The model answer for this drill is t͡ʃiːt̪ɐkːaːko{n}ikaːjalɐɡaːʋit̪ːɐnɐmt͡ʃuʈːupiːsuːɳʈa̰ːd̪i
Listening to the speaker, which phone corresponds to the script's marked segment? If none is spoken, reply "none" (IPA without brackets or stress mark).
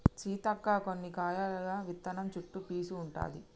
nː